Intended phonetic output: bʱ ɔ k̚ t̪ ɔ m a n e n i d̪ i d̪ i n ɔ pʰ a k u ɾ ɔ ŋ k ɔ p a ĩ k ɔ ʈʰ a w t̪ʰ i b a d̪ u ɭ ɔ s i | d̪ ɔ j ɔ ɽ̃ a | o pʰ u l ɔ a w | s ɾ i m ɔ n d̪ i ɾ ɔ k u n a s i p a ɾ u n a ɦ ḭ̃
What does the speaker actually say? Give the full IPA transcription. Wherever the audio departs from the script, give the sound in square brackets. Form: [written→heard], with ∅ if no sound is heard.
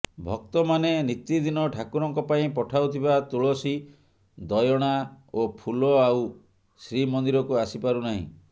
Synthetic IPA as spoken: bʱ ɔ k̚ t̪ ɔ m a n e n i [d̪→t̪] i d̪ i n ɔ [pʰ→ʈʰ] a k u ɾ ɔ ŋ k ɔ p a ĩ [k→p] ɔ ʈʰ a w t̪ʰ i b a [d̪→t̪] u ɭ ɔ s i | d̪ ɔ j ɔ ɽ̃ a | o pʰ u l ɔ a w | s ɾ i m ɔ n d̪ i ɾ ɔ k u [n→∅] a s i p a ɾ u n a ɦ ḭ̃

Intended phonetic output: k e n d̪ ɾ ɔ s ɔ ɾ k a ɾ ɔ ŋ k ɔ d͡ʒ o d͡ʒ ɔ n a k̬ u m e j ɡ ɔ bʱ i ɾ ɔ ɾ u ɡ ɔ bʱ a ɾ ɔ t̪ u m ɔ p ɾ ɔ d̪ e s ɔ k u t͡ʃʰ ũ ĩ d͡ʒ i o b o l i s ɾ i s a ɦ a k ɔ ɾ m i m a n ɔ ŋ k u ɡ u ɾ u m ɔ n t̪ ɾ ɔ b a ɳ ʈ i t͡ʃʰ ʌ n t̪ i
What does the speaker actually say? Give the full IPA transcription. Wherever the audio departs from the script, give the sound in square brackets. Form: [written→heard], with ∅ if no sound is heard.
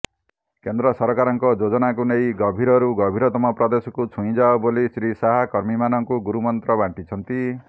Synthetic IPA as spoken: k e n d̪ ɾ ɔ s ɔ ɾ k a ɾ ɔ ŋ k ɔ d͡ʒ o d͡ʒ ɔ n a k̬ u [m→n] e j ɡ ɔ bʱ i ɾ ɔ ɾ u ɡ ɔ bʱ [a→i] ɾ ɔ t̪ [u→ɔ] m ɔ p ɾ ɔ d̪ e s ɔ k u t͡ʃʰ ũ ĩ d͡ʒ [i→a] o b o l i s ɾ i s a ɦ a k ɔ ɾ m i m a n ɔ ŋ k u ɡ u ɾ u m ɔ n t̪ ɾ ɔ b a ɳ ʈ i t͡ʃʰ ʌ n t̪ i

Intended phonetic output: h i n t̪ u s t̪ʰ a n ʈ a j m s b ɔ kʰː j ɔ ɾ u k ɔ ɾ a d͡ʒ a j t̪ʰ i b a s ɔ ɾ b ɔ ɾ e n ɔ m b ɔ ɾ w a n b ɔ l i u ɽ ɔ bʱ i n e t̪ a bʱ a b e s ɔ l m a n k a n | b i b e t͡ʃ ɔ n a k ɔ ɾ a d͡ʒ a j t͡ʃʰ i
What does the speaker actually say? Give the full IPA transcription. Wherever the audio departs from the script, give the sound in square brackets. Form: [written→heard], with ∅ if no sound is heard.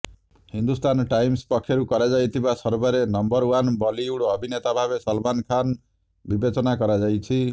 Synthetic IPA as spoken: h i n [t̪→d̪] u s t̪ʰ a n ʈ a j m s [b→p] ɔ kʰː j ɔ ɾ u k ɔ ɾ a d͡ʒ a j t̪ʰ i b a s ɔ ɾ b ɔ ɾ e n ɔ m b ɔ ɾ w a n b ɔ l i u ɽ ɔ bʱ i n e t̪ a bʱ a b e s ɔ l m a n [k→kʰ] a n | b i b e t͡ʃ ɔ n a k ɔ ɾ a d͡ʒ a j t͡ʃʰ i

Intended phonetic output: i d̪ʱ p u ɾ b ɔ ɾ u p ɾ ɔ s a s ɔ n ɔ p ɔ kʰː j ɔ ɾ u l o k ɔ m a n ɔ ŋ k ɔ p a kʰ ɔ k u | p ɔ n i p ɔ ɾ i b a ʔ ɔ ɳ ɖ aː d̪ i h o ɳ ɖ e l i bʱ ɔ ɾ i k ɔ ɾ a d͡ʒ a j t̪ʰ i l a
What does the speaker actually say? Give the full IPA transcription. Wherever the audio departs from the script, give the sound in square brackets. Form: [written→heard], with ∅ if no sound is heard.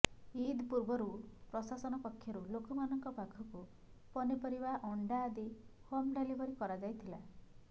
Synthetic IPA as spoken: i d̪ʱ p u ɾ b ɔ ɾ u p ɾ ɔ s a s ɔ n ɔ p ɔ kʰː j ɔ ɾ u l o k ɔ m a n ɔ ŋ k ɔ p a kʰ ɔ k u | p ɔ n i p ɔ ɾ i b a ʔ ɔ ɳ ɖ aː d̪ i h o [ɳ→m] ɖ e l i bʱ ɔ ɾ i k ɔ ɾ a d͡ʒ a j t̪ʰ i l a

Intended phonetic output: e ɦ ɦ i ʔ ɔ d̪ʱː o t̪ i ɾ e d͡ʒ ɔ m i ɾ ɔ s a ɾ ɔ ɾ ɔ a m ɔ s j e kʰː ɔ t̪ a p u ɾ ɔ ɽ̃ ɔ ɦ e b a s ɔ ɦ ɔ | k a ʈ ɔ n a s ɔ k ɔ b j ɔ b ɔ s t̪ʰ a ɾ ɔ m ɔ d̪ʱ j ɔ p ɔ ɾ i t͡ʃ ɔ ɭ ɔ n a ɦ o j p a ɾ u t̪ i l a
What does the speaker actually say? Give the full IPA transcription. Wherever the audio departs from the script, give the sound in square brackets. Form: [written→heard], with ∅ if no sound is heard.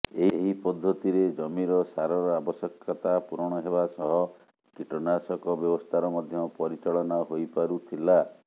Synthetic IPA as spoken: e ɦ ɦ i [ʔ→p] ɔ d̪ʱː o t̪ i ɾ e d͡ʒ ɔ m i ɾ ɔ s a ɾ ɔ ɾ ɔ a [m→b] ɔ s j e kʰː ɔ t̪ a p u ɾ ɔ ɽ̃ ɔ ɦ e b a s ɔ ɦ ɔ | k [a→i] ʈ ɔ n a s ɔ k ɔ b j ɔ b ɔ s t̪ʰ a ɾ ɔ m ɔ d̪ʱ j ɔ p ɔ ɾ i t͡ʃ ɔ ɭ ɔ n a ɦ o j p a ɾ u [t̪→t̪ʰ] i l a

